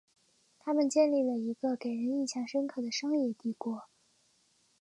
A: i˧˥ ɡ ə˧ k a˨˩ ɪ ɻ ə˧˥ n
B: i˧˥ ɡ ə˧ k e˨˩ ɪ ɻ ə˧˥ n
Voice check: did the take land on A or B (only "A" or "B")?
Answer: B